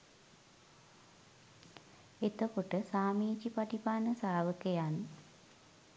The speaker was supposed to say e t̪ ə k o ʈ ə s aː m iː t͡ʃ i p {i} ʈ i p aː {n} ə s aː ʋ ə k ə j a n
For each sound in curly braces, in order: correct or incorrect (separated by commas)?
incorrect, correct